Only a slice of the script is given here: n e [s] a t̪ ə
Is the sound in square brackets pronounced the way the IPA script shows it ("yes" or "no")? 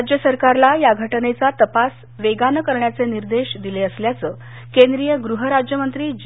no